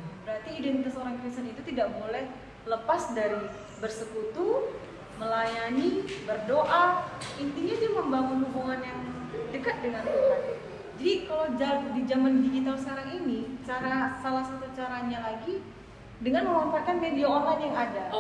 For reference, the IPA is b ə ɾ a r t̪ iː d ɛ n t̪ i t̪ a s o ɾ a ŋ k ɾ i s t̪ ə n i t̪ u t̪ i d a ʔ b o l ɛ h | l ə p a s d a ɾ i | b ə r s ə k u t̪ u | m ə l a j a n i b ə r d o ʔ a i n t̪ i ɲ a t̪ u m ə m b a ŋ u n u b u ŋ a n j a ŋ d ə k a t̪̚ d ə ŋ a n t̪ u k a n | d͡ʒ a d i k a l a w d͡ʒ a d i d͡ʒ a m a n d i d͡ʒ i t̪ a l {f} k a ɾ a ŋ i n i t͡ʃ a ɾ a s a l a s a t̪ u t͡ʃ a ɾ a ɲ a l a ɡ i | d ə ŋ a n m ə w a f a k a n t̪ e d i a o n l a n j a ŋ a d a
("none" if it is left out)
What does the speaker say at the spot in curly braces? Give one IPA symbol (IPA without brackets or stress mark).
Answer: s